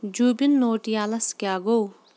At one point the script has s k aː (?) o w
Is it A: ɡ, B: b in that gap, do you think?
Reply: A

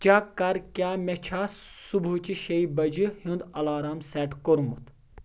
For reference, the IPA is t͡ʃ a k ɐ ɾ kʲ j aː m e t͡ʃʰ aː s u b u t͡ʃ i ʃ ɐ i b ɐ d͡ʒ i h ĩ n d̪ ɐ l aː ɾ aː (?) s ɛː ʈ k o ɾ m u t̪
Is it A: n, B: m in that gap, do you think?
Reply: B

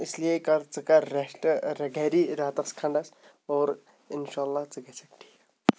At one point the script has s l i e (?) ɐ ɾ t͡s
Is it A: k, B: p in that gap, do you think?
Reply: A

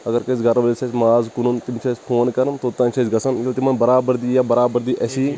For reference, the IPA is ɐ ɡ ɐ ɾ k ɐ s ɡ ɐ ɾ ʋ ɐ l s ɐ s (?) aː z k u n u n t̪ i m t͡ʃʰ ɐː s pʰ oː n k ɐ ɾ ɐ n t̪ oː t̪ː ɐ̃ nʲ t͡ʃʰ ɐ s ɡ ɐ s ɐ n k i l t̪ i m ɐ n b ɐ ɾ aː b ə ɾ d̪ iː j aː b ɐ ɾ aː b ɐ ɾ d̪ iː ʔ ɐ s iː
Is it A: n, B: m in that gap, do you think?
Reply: B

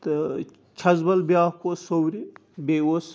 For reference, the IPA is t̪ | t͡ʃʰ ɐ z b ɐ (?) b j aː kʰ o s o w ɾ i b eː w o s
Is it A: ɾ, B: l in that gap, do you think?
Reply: B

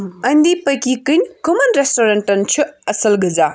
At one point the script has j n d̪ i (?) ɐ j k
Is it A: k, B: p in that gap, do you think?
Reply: B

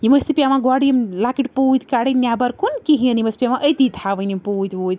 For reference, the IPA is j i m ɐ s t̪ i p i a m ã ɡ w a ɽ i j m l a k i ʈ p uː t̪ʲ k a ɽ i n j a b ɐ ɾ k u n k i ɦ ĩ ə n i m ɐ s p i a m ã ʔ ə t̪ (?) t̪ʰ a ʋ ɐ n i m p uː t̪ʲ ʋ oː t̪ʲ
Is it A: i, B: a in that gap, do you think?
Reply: A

